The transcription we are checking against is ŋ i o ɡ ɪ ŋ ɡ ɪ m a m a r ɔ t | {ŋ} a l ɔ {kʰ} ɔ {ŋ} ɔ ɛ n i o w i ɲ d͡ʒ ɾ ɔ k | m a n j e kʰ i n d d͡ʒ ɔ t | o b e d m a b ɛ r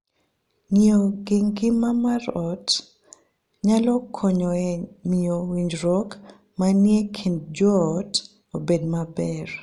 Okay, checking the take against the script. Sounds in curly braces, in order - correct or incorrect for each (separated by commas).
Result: incorrect, correct, incorrect